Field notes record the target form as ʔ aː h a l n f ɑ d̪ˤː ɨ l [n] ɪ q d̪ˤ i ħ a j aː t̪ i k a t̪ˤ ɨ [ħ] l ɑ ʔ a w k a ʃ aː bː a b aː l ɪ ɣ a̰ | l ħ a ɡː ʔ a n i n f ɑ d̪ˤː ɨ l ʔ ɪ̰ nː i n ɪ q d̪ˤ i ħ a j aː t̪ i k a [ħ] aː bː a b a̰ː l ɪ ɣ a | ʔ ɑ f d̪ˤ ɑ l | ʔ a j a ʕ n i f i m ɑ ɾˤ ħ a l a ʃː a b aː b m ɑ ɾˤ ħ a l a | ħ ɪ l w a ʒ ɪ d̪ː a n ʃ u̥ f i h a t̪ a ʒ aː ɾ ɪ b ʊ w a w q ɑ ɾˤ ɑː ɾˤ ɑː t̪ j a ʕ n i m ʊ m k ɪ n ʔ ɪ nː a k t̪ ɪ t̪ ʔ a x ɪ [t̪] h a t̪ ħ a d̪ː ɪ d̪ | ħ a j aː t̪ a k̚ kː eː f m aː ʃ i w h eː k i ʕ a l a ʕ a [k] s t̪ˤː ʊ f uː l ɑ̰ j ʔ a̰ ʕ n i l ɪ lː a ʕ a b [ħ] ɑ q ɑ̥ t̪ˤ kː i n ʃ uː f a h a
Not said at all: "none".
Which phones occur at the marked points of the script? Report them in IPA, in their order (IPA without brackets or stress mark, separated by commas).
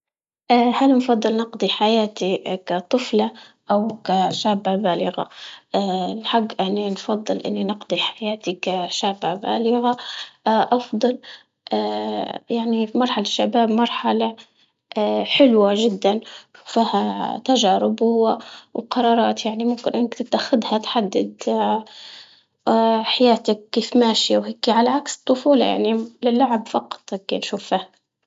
n, f, ʃ, d̪, k, f